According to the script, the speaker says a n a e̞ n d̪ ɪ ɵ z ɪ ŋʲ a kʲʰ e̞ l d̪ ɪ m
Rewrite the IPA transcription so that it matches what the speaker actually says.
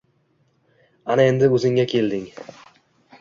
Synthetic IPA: a n a e̞ n d̪ ɪ ɵ z ɪ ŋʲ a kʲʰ e̞ l d̪ ɪ ŋ